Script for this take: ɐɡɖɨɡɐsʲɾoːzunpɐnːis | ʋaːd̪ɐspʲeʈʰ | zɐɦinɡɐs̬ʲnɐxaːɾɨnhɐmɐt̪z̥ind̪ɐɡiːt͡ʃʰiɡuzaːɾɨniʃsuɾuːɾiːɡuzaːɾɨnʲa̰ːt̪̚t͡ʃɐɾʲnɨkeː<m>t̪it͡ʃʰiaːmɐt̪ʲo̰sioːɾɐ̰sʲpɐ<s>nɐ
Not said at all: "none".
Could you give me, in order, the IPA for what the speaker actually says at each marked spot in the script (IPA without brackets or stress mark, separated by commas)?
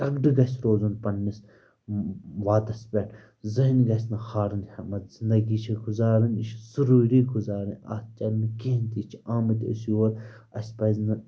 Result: n, z